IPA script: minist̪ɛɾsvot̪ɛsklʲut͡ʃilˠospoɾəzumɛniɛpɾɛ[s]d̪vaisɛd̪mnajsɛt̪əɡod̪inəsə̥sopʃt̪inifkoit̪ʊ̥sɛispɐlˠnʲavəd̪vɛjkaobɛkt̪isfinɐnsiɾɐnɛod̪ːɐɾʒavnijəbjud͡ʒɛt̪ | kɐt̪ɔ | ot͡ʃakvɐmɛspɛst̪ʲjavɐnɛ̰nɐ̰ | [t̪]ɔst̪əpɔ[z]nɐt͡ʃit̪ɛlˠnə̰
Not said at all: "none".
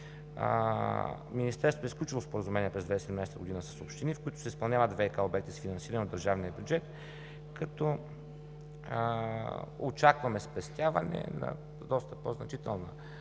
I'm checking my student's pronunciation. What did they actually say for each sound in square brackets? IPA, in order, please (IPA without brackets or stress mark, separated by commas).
z, d̪, z